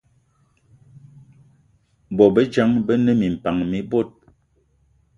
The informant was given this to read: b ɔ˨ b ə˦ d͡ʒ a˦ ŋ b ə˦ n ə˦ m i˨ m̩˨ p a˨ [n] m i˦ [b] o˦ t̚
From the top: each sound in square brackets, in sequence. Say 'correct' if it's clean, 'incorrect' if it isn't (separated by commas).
incorrect, correct